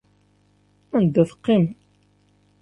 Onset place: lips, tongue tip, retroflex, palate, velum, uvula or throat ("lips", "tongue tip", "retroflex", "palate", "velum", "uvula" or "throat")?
tongue tip